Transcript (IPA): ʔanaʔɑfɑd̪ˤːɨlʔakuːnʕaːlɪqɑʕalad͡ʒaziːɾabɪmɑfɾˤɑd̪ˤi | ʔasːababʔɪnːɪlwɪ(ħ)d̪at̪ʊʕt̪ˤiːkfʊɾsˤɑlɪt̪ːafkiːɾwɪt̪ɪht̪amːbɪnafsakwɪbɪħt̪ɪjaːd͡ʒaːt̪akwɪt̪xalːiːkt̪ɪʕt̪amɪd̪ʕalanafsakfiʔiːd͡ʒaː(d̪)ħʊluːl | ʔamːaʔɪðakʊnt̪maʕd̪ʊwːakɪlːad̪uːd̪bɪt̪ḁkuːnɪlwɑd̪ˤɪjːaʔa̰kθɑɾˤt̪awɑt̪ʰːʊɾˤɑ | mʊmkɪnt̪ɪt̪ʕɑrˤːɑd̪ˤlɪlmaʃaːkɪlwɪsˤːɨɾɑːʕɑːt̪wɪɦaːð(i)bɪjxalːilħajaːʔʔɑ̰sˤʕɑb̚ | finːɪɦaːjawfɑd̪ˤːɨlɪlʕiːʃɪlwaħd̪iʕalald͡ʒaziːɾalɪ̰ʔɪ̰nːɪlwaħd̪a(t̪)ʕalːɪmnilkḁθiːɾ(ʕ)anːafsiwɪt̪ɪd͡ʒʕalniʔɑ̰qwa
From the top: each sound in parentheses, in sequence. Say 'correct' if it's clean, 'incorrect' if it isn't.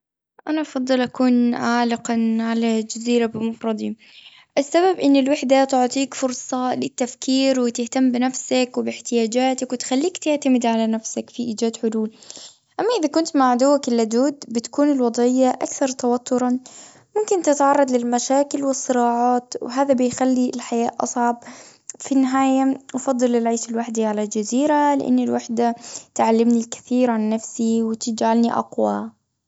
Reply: correct, correct, incorrect, correct, correct

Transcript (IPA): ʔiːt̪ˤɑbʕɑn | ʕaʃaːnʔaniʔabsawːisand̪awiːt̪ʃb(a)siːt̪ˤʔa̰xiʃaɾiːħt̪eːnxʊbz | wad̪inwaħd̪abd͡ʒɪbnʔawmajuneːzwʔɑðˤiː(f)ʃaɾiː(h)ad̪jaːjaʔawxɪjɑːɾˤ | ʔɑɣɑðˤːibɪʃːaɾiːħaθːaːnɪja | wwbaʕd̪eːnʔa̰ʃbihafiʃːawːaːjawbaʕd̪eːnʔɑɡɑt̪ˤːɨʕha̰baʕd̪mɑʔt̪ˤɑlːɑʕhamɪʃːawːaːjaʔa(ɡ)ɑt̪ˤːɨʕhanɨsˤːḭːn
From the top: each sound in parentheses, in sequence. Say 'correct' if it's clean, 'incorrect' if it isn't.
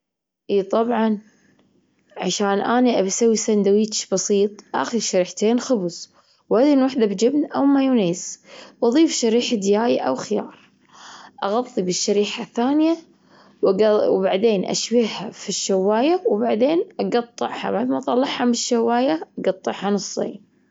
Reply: incorrect, correct, incorrect, correct

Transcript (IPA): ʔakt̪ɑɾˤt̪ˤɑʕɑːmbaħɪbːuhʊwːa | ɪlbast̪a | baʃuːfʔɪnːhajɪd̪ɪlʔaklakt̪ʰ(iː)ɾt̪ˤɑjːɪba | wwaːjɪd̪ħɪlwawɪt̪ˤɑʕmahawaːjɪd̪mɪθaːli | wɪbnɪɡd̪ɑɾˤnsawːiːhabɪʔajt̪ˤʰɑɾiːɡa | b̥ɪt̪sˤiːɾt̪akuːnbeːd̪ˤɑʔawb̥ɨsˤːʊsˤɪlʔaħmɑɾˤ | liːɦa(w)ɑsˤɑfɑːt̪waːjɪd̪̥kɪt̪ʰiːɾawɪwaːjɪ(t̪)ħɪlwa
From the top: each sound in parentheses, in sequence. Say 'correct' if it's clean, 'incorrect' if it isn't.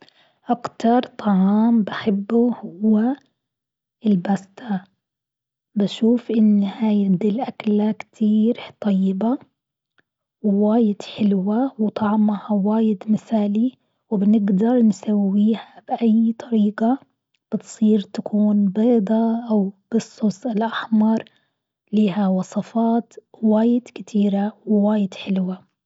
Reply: correct, correct, incorrect

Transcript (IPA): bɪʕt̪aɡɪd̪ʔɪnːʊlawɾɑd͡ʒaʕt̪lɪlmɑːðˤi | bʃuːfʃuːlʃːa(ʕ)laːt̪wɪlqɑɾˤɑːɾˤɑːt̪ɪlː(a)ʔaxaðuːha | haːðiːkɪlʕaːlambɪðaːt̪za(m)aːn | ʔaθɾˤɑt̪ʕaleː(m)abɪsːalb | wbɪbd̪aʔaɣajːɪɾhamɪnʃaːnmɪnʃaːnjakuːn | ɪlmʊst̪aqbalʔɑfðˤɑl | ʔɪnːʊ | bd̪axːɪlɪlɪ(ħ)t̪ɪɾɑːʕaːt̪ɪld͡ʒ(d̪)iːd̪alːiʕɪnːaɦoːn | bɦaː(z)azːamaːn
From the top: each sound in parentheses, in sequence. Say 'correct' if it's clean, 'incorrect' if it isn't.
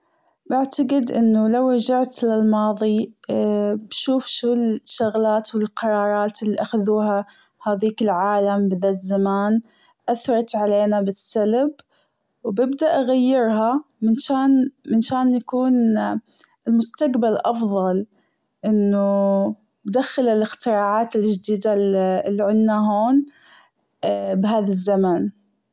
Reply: incorrect, incorrect, correct, incorrect, incorrect, correct, incorrect

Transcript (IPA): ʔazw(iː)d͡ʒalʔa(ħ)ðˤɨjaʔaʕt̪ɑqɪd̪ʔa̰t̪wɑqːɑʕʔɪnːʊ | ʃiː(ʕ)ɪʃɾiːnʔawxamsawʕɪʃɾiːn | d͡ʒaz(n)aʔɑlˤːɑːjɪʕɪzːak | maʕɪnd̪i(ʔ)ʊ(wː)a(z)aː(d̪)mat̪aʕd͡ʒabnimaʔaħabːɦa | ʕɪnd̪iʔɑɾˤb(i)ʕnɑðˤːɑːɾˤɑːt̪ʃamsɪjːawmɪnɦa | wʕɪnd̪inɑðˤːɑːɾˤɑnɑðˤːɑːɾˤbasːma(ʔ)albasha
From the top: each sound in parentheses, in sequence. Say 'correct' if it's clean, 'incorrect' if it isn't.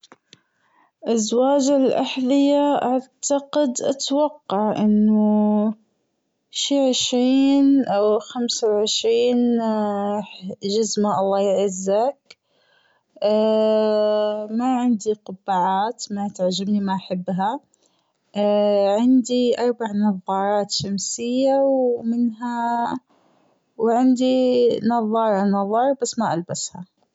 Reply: incorrect, correct, correct, incorrect, incorrect, incorrect, incorrect, incorrect, incorrect, correct

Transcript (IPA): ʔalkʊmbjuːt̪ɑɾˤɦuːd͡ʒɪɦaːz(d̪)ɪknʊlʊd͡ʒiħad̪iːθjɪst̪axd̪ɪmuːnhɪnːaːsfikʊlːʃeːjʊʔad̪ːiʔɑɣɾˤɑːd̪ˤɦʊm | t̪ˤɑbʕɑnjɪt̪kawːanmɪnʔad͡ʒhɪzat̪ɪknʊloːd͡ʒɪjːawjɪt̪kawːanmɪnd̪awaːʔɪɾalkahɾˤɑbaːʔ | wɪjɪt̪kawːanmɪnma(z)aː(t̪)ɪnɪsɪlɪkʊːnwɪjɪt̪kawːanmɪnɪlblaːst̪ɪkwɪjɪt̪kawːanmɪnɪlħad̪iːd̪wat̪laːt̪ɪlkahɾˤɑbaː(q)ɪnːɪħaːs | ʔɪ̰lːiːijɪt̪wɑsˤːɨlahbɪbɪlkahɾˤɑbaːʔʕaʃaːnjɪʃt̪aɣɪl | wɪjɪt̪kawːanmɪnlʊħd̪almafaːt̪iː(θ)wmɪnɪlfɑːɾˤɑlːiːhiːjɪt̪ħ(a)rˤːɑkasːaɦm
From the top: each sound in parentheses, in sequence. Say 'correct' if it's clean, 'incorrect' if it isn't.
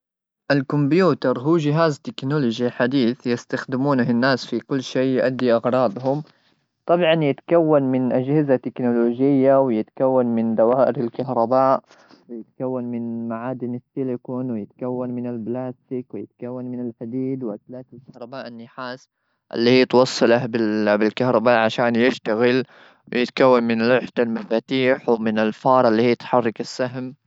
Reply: incorrect, incorrect, incorrect, incorrect, incorrect, incorrect

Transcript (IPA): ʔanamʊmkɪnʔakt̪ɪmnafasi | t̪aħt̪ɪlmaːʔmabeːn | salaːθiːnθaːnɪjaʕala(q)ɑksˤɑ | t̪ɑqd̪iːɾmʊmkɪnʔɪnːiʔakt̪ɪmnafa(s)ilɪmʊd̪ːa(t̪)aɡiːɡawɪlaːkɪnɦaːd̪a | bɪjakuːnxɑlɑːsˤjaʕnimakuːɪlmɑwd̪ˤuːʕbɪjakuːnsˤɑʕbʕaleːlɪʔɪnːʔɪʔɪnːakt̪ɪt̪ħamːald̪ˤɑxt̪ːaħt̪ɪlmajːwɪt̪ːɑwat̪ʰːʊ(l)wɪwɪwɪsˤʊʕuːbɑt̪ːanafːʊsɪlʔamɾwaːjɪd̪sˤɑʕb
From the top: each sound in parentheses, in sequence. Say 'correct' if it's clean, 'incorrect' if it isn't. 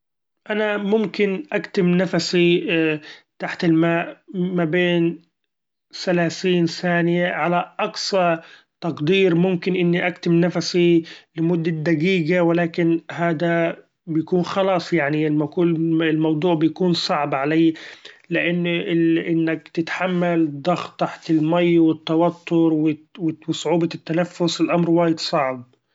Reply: incorrect, correct, incorrect, incorrect

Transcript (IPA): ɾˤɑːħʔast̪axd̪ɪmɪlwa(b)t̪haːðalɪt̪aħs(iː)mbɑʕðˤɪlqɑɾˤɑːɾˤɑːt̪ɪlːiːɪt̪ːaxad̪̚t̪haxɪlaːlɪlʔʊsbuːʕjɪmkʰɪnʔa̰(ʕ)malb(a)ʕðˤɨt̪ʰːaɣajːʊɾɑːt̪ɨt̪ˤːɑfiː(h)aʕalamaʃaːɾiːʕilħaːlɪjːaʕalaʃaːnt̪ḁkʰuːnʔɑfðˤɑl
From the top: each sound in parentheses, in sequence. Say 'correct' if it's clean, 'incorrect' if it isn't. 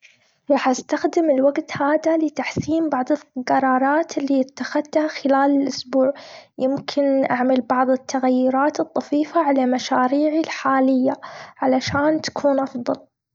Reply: incorrect, correct, correct, incorrect, incorrect

